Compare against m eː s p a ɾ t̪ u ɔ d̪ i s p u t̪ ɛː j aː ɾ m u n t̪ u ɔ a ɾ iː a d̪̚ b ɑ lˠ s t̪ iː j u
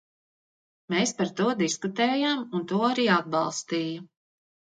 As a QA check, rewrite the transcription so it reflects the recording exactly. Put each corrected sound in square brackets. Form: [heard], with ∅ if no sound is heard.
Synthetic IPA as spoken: m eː s p a ɾ t̪ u ɔ d̪ i s [k] u t̪ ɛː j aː [∅] m u n t̪ u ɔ a ɾ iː a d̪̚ b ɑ lˠ s t̪ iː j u